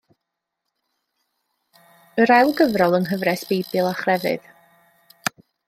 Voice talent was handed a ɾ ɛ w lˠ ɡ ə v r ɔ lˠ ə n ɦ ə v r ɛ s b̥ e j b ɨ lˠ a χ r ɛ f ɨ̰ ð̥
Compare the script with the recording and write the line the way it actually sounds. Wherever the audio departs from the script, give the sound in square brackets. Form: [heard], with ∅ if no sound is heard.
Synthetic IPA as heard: [ə] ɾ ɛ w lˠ ɡ ə v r ɔ lˠ ə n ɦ ə v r ɛ s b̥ e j b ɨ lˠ a χ r ɛ [v] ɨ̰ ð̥